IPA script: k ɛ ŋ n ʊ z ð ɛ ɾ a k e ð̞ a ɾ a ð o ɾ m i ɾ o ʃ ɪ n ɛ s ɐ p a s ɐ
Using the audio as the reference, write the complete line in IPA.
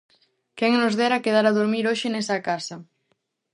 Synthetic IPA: k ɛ ŋ n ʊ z ð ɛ ɾ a k e ð̞ a ɾ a ð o ɾ m i ɾ o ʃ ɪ n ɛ s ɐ k a s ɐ